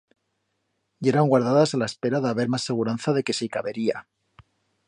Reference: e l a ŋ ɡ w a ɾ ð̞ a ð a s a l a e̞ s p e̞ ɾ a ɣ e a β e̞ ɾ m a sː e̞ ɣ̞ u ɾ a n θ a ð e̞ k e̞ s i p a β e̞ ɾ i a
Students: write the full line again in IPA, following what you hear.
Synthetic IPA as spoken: e ɾ a ŋ ɡ w a ɾ ð̞ a ð a s a l a e̞ s p e̞ ɾ a ð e a β e̞ ɾ m a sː e̞ ɣ̞ u ɾ a n θ a ð e̞ k e̞ s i k a β e̞ ɾ i a